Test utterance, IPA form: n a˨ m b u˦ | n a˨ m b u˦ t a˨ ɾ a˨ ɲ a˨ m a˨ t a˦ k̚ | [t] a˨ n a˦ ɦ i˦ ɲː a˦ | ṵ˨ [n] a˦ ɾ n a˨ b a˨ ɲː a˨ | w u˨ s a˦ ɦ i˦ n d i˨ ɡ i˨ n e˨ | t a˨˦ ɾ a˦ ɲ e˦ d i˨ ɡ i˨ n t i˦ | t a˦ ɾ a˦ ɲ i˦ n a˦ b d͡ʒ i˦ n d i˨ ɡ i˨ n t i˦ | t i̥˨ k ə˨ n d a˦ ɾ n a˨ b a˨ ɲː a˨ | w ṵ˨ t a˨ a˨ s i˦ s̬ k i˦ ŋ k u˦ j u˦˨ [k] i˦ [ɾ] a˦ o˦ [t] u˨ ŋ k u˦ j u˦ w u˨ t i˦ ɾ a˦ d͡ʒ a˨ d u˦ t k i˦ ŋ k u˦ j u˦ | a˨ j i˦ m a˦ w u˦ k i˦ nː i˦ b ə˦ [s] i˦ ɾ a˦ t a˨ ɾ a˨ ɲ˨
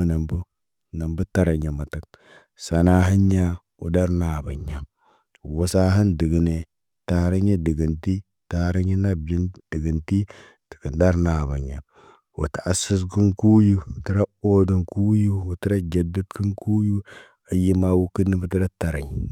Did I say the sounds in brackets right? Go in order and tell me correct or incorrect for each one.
incorrect: s, incorrect: d, incorrect: t, correct, incorrect: d, incorrect: t

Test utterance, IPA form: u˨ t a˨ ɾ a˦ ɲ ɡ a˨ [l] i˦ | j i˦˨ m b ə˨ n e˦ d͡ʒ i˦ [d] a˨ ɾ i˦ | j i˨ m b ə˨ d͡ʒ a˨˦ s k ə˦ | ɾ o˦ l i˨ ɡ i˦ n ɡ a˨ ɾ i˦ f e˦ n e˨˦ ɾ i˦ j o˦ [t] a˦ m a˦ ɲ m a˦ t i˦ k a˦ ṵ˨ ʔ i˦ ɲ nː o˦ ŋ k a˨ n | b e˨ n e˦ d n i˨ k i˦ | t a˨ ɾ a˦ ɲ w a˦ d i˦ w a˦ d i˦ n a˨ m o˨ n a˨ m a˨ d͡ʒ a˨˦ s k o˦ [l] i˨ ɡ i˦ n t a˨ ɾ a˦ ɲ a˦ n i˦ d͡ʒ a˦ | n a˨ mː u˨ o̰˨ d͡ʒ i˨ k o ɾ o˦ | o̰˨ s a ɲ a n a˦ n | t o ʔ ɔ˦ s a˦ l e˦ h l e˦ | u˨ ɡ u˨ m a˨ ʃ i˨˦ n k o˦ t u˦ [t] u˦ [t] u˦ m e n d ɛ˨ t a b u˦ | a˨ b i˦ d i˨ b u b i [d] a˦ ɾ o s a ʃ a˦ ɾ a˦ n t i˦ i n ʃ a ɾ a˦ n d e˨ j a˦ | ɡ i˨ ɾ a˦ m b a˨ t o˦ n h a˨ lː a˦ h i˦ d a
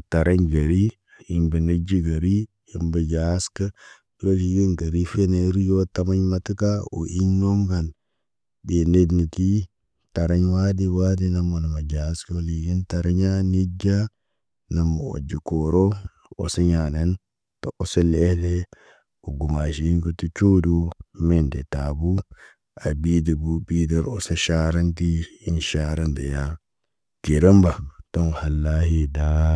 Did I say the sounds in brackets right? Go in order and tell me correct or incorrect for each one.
incorrect: ɾ, incorrect: ɡ, correct, correct, incorrect: t͡ʃ, incorrect: d, correct

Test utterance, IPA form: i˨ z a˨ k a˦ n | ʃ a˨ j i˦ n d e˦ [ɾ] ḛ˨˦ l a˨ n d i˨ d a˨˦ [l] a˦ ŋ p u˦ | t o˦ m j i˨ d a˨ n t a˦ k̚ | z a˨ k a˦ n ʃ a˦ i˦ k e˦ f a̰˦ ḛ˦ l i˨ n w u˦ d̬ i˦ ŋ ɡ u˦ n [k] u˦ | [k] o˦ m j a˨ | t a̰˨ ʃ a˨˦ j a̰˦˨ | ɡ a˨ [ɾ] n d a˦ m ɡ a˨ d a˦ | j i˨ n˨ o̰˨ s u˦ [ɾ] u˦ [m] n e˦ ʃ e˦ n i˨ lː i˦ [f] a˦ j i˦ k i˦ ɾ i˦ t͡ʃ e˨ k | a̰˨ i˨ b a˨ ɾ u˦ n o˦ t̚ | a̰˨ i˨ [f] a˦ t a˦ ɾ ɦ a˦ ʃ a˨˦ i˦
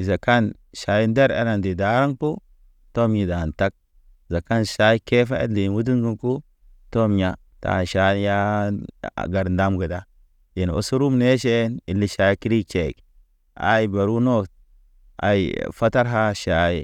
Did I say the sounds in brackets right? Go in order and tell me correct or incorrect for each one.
correct, incorrect: ɾ, correct, incorrect: t, correct, correct, correct, incorrect: ʃ, correct

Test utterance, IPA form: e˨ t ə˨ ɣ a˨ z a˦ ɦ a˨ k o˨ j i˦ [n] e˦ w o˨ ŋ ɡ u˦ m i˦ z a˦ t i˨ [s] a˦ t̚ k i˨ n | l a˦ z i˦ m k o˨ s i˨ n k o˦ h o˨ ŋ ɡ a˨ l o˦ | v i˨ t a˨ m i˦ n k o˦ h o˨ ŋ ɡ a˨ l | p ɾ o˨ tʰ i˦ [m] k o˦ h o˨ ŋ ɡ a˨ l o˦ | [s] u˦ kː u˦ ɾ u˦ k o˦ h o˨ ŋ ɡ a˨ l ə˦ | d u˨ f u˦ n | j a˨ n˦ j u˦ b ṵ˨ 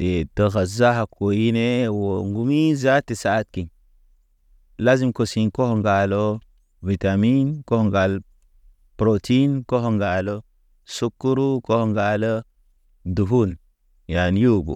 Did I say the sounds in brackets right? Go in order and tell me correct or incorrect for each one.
correct, correct, incorrect: n, correct

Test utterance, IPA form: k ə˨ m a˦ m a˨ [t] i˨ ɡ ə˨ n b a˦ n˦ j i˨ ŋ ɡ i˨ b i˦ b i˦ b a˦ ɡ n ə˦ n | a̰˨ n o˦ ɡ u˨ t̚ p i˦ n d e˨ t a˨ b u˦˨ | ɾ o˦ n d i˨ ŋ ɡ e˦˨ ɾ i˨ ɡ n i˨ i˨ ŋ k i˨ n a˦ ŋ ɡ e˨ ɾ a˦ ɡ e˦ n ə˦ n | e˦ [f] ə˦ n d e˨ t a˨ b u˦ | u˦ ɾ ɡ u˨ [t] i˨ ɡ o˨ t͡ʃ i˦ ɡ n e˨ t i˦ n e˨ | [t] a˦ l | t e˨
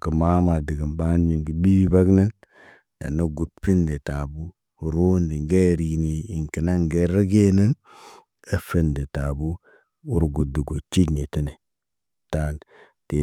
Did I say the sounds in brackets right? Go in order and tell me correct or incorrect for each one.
incorrect: d, correct, incorrect: d, correct

